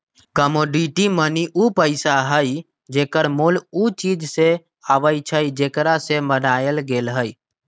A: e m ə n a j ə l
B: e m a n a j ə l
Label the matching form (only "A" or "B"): A